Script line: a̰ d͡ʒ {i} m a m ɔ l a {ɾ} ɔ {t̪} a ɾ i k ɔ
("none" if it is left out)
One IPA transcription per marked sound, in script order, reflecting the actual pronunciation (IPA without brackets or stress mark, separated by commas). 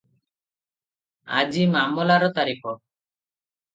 i, ɾ, t̪